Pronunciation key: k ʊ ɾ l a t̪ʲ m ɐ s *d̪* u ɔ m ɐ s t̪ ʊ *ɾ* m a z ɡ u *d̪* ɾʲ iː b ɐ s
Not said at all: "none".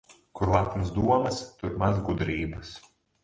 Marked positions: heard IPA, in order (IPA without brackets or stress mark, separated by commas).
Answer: d̪, ɾ, d̪